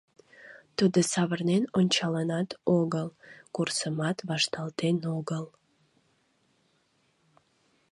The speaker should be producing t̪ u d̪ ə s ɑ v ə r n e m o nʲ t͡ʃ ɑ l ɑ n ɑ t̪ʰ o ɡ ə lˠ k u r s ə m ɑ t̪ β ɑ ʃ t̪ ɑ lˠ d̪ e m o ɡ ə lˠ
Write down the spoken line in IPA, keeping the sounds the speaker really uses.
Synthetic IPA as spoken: t̪ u d̪ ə s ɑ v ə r n e n o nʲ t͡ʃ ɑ l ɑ n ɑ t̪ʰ o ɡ ə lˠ k u r s ə m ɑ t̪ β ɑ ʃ t̪ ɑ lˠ t̪ e n o ɡ ə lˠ